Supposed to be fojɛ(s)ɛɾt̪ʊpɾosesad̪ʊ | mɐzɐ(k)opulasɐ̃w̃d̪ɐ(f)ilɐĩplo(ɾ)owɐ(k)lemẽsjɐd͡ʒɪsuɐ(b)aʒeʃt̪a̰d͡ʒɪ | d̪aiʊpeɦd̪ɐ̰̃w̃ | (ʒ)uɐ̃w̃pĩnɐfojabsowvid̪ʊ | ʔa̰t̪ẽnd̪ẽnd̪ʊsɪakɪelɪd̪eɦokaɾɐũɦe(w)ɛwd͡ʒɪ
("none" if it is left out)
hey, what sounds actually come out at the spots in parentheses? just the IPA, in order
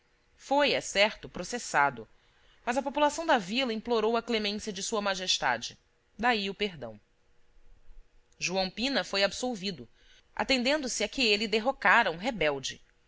s, p, v, ɾ, k, m, ʒ, b

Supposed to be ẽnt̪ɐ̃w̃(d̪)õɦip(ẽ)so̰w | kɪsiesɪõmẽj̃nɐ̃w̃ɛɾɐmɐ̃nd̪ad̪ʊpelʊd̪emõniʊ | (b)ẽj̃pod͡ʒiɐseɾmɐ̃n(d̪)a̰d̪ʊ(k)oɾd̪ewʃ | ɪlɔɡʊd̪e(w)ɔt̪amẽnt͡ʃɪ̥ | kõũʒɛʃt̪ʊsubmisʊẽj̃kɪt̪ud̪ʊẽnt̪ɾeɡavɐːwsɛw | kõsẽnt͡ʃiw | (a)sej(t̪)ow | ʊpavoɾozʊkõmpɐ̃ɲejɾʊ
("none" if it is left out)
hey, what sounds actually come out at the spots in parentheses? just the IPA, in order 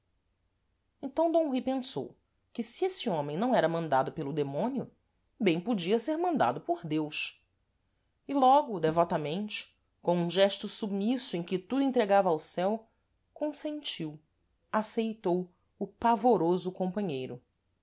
d̪, ẽ, b, d̪, p, v, a, t̪

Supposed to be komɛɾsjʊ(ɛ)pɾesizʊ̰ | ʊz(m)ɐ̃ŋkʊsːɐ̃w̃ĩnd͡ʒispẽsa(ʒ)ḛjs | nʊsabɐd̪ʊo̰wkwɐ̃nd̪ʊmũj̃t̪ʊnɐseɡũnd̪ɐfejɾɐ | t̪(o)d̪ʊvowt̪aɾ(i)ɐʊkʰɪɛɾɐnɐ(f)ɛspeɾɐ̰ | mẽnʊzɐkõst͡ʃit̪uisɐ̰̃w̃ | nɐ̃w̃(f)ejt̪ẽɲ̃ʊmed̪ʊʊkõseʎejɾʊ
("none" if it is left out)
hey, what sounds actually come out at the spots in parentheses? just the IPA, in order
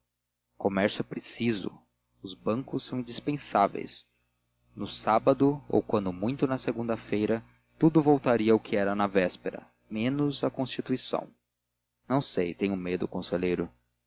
ɛ, b, v, u, i, v, s

